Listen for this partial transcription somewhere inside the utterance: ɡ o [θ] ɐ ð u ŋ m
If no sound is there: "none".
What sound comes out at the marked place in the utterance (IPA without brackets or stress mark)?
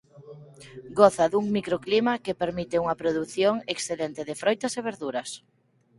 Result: θ